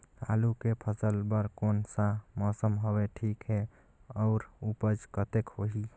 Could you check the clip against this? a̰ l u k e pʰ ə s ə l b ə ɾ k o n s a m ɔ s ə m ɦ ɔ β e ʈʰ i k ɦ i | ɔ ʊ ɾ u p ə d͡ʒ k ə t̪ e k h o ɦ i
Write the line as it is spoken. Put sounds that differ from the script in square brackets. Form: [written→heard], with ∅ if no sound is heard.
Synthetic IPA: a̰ l u k e pʰ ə s ə l b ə ɾ k o n s a m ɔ s ə m ɦ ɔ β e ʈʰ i k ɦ [i→e] | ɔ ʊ ɾ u p ə d͡ʒ k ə t̪ e k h o ɦ i